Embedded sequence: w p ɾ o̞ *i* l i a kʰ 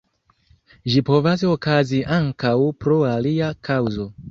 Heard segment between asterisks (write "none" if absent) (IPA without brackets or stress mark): a